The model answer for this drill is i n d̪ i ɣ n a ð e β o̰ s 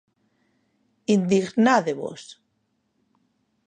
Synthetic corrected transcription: i n d̪ i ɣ n a ð e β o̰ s